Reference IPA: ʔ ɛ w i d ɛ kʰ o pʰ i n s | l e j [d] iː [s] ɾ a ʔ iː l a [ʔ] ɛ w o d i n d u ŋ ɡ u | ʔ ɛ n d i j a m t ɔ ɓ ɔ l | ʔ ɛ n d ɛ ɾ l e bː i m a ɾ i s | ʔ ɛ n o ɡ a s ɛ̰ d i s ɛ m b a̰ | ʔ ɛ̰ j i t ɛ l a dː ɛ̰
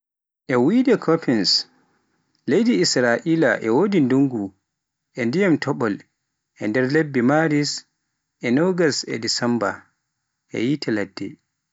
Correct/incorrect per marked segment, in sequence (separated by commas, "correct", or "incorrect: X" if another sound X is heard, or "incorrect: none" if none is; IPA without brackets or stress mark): correct, correct, correct